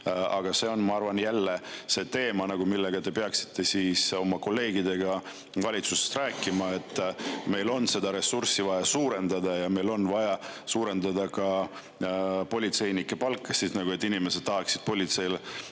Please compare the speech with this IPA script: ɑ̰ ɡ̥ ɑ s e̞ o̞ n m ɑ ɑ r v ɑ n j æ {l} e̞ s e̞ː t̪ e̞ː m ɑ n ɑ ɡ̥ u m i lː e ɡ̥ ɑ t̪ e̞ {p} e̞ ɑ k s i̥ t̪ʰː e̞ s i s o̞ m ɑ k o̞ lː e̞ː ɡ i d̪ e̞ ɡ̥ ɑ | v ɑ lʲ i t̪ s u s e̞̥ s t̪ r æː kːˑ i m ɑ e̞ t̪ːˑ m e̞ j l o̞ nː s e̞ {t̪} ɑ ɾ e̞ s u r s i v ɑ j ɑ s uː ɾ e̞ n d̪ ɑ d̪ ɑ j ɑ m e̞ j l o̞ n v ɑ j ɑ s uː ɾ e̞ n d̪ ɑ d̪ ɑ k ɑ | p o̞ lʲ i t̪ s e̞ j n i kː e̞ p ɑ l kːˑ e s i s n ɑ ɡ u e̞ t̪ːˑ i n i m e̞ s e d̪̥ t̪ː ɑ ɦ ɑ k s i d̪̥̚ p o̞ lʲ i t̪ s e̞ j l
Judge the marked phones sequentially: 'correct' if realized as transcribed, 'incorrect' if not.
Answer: incorrect, correct, incorrect

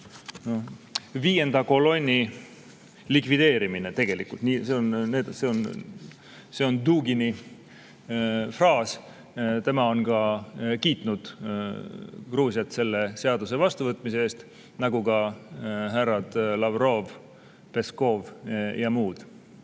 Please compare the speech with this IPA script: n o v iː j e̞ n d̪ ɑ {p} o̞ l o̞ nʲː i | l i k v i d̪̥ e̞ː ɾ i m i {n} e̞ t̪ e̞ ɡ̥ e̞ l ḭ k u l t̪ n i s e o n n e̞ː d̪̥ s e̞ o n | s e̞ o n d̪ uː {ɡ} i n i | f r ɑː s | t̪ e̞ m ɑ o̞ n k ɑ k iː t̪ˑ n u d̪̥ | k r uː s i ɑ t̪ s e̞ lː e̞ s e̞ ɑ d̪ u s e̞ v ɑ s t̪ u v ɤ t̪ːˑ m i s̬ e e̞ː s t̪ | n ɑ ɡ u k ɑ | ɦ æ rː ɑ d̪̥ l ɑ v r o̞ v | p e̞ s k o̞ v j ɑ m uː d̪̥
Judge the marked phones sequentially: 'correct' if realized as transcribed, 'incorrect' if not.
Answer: incorrect, correct, correct

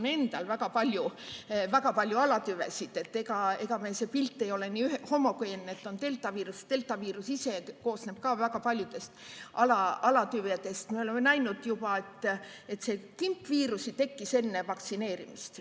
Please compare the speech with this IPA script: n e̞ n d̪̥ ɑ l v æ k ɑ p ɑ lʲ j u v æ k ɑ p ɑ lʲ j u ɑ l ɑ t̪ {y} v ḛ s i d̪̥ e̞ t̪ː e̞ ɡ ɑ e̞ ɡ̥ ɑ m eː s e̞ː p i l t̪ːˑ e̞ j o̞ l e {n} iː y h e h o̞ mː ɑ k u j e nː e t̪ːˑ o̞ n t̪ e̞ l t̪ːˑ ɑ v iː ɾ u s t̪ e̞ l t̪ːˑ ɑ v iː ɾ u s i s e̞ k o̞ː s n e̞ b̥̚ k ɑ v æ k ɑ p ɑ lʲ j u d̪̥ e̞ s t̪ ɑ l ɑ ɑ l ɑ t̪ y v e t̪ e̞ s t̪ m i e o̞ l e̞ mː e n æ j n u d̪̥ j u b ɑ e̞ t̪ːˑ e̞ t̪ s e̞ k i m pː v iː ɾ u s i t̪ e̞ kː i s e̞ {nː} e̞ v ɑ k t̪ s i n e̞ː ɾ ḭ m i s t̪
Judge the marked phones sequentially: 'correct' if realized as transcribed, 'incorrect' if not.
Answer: correct, correct, correct

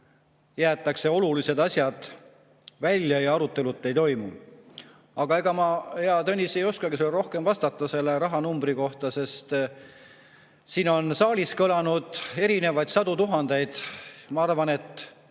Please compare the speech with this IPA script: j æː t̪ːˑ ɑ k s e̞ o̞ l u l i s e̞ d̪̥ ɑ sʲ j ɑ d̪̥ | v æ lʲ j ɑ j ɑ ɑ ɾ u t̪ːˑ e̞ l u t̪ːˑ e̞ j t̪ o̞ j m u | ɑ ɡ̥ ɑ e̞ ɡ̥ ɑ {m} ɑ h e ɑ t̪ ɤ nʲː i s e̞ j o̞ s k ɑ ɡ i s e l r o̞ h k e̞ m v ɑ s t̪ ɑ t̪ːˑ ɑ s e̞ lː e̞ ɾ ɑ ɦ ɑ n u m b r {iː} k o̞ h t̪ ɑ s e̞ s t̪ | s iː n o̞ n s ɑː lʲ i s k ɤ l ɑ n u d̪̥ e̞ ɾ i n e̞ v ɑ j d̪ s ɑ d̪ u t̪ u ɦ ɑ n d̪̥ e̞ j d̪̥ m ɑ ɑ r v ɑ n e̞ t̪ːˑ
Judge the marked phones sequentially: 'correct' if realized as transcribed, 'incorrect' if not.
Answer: correct, incorrect

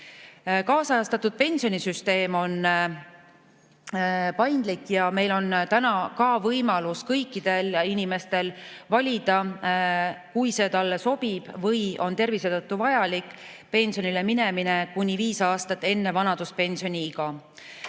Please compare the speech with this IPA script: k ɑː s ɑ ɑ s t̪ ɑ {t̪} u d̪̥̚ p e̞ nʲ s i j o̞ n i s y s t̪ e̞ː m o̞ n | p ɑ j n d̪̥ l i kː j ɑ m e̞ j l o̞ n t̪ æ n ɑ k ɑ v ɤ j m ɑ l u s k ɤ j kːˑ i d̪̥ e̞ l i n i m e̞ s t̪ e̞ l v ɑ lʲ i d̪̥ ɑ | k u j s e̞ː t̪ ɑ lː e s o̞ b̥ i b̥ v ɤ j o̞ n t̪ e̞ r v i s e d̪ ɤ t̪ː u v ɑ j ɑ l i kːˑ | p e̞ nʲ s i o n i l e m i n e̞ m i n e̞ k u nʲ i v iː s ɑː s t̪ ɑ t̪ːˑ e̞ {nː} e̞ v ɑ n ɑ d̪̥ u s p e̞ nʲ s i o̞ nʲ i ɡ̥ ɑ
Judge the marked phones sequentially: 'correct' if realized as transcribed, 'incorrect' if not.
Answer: correct, correct

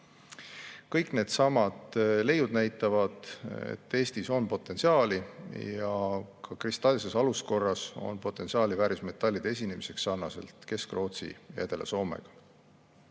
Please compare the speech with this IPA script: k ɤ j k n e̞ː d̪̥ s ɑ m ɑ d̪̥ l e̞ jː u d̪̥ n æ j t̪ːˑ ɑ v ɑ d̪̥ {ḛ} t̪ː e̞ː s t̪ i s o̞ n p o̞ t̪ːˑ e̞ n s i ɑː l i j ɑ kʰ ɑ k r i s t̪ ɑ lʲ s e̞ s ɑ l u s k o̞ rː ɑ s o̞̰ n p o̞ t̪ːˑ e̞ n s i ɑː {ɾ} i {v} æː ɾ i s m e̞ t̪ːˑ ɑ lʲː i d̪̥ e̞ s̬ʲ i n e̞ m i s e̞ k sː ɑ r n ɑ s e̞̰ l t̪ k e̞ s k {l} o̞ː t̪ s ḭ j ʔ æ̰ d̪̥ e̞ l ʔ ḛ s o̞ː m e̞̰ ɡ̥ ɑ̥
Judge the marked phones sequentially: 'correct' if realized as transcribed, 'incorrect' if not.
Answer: correct, incorrect, correct, incorrect

